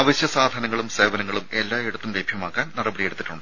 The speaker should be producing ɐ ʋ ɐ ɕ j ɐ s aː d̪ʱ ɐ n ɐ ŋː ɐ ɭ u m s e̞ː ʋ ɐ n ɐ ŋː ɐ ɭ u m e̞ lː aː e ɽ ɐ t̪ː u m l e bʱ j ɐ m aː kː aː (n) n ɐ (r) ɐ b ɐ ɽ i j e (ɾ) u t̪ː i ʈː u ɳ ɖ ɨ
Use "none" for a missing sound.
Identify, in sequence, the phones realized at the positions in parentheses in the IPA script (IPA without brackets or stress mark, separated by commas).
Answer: n, r, ɽ